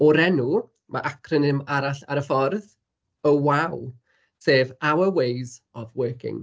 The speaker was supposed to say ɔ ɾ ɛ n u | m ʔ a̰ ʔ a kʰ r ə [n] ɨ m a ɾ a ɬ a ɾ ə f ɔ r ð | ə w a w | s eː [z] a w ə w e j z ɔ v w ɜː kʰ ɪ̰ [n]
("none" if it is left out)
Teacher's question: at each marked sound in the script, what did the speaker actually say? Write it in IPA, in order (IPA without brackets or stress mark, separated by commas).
n, v, ŋ